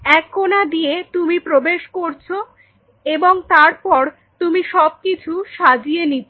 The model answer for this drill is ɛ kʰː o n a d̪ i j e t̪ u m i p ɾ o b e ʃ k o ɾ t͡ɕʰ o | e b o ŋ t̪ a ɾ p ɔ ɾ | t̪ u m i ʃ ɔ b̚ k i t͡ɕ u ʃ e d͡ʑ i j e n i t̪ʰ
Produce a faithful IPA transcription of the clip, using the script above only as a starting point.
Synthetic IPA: ɛ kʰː o n a d̪ i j e t̪ u m i p ɾ o b e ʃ k o ɾ t͡ɕʰ o | e b o ŋ t̪ a ɾ p ɔ ɾ | t̪ u m i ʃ ɔ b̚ k i t͡ɕʰ u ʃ a d͡ʑ i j e n i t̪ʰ